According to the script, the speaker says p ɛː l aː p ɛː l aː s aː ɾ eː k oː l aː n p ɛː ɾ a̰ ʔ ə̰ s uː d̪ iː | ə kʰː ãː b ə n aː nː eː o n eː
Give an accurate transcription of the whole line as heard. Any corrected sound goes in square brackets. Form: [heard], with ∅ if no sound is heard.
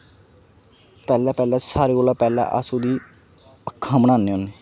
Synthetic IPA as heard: p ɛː l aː p ɛː l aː s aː ɾ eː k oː l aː [∅] p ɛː [l] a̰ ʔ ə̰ s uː d̪ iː | ə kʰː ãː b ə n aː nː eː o n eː

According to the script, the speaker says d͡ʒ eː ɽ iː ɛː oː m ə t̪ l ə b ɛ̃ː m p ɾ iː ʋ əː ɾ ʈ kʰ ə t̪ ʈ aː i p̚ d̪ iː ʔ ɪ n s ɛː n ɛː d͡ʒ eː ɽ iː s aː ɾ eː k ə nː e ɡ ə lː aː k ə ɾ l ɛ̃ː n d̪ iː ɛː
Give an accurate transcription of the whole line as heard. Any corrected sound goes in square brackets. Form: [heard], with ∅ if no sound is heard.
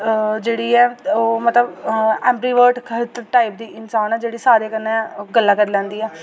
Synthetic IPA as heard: d͡ʒ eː ɽ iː ɛː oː m ə t̪ l ə b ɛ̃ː m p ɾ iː ʋ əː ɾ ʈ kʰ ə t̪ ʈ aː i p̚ d̪ iː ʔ ɪ n s [aː] n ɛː d͡ʒ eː ɽ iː s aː ɾ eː k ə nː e ɡ ə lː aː k ə ɾ l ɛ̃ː n d̪ iː ɛː

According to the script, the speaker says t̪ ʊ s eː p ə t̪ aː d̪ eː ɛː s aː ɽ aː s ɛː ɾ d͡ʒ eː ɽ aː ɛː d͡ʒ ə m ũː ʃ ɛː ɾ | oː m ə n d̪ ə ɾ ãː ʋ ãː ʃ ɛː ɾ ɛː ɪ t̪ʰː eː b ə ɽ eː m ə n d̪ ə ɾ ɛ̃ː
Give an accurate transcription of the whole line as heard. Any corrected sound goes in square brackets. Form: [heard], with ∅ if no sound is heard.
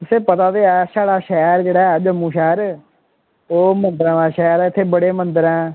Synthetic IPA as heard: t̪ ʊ s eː p ə t̪ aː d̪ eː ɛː s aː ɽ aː [ʃ] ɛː ɾ d͡ʒ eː ɽ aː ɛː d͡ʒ ə m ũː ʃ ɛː ɾ | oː m ə n d̪ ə ɾ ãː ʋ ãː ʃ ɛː ɾ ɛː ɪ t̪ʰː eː b ə ɽ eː m ə n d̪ ə ɾ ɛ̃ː

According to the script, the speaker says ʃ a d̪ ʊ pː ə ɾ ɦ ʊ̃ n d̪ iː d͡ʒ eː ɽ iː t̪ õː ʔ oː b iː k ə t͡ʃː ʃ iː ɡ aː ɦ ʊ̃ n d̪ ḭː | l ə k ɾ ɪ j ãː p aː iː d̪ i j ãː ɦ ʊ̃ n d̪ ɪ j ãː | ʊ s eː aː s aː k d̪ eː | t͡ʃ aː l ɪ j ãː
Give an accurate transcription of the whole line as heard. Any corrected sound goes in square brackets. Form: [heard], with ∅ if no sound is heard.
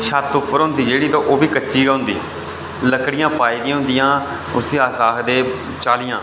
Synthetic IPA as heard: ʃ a [t̪] ʊ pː ə ɾ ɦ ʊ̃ n d̪ iː d͡ʒ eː ɽ iː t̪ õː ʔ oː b iː k ə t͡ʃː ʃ iː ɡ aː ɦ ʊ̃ n d̪ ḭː | l ə k [ɽ] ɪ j ãː p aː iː d̪ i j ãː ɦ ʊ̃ n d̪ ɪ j ãː | ʊ s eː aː s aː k d̪ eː | t͡ʃ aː l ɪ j ãː

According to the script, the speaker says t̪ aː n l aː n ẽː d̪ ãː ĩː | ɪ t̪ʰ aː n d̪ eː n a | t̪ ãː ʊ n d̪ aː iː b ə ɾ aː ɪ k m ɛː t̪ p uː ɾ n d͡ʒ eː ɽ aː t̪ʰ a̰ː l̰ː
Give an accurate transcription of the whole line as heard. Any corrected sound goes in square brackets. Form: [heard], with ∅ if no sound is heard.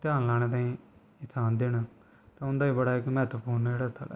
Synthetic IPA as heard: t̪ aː n l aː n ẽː [t̪] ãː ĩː | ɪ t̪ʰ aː n d̪ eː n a | t̪ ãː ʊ n d̪ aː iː b ə [ɽ] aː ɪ k m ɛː t̪ p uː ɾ n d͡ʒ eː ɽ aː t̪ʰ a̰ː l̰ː

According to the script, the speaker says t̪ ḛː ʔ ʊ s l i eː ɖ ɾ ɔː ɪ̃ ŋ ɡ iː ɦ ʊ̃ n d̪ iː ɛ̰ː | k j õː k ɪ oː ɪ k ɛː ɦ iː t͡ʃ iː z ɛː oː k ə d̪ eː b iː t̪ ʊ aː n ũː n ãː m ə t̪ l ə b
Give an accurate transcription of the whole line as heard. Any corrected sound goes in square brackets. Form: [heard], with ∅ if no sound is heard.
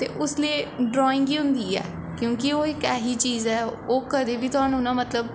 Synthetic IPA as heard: t̪ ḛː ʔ ʊ s l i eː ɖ ɾ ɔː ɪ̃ ŋ ɡ iː ɦ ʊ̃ n d̪ iː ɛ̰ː | k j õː k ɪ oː ɪ k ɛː ɦ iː t͡ʃ iː z ɛː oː k ə d̪ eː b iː t̪ ʊ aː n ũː n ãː m ə t̪ l ə b

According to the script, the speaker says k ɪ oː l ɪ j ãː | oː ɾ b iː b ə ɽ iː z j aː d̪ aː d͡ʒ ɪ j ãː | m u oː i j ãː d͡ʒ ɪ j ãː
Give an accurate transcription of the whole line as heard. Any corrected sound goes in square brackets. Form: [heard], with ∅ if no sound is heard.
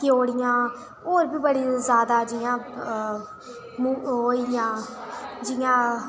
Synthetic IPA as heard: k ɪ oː [ɽ] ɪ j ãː | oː ɾ b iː b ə ɽ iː z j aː d̪ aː d͡ʒ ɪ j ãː | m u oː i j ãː d͡ʒ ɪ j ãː

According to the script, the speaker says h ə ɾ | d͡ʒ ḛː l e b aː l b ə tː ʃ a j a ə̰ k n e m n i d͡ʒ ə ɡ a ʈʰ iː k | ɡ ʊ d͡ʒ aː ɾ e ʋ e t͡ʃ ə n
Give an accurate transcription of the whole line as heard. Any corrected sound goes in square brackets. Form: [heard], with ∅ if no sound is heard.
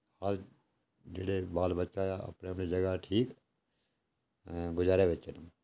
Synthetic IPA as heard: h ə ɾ | d͡ʒ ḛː [ɽ] e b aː l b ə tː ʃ a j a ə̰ [p] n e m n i d͡ʒ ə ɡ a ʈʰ iː k | ɡ ʊ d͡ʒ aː ɾ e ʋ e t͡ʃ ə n

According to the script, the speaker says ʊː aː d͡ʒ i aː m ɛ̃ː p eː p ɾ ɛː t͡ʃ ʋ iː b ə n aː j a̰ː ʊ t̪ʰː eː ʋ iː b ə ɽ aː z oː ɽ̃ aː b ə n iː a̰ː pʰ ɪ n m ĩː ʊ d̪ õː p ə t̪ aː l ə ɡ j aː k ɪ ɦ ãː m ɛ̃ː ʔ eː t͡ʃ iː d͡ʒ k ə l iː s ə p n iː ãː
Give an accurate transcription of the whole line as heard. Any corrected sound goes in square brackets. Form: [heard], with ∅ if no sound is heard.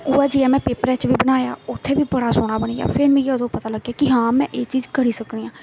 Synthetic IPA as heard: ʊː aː d͡ʒ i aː m ɛ̃ː p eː p ɾ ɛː t͡ʃ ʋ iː b ə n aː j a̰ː ʊ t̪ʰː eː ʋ iː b ə ɽ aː [s] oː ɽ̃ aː b ə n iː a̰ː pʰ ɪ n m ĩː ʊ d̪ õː p ə t̪ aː l ə ɡ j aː k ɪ ɦ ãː m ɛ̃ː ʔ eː t͡ʃ iː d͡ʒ k ə [ɾ] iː s ə [k] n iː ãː

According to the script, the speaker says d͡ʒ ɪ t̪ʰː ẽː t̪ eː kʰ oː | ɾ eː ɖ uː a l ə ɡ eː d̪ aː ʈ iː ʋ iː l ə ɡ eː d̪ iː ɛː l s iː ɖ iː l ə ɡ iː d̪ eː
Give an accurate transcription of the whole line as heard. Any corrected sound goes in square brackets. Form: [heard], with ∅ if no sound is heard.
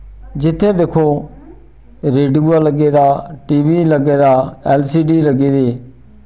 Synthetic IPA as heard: d͡ʒ ɪ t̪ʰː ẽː [d̪] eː kʰ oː | ɾ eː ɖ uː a l ə ɡ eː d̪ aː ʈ iː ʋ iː l ə ɡ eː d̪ [aː] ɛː l s iː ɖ iː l ə ɡ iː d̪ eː

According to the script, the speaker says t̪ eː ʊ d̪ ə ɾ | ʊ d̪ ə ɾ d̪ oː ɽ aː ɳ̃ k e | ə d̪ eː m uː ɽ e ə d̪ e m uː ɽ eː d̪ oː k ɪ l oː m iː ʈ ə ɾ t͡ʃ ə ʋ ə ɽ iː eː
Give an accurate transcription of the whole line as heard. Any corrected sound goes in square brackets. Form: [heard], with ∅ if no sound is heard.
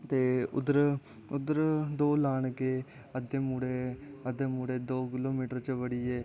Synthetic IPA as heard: t̪ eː ʊ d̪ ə ɾ | ʊ d̪ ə ɾ d̪ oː [l] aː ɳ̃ k e | ə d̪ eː m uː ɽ e ə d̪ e m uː ɽ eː d̪ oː k ɪ l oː m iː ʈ ə ɾ t͡ʃ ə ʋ ə ɽ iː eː

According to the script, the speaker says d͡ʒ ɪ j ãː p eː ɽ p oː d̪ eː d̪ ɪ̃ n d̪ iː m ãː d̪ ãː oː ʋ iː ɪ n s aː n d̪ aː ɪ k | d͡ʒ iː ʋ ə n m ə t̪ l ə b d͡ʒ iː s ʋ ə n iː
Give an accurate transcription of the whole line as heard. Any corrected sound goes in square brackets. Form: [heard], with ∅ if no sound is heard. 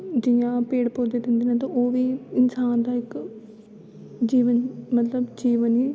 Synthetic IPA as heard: d͡ʒ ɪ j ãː p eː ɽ p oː d̪ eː d̪ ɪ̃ n d̪ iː [n] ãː [t̪] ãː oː ʋ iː ɪ n s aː n d̪ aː ɪ k | d͡ʒ iː ʋ ə n m ə t̪ l ə b d͡ʒ iː [∅] ʋ ə n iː

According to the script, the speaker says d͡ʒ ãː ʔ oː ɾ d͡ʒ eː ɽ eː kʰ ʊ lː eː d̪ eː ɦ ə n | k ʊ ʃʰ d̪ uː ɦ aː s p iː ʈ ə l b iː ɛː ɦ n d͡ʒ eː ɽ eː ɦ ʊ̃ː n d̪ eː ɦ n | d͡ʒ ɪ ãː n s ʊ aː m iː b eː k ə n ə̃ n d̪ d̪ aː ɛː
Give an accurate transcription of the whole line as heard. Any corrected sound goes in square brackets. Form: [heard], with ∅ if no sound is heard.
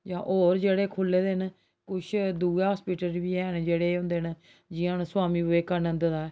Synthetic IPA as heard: d͡ʒ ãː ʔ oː ɾ d͡ʒ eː ɽ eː kʰ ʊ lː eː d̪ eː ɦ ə n | k ʊ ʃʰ d̪ uː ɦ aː s p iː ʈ ə l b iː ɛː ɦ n d͡ʒ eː ɽ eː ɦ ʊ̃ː n d̪ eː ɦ n | d͡ʒ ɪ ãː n s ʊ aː m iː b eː k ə n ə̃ n d̪ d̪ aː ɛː

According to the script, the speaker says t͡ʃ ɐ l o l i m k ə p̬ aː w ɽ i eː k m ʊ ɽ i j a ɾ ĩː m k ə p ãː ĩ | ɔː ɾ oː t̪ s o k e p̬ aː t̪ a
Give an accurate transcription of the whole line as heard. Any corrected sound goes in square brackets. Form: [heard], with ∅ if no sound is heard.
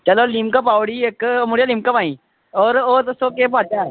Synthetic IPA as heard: t͡ʃ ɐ l o l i m k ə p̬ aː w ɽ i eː k m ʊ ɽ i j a [l] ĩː m k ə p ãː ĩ | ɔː ɾ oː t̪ s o k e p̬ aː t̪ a

